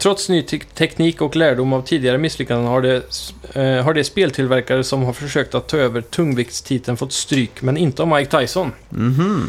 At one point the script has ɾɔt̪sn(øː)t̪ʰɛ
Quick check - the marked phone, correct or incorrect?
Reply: incorrect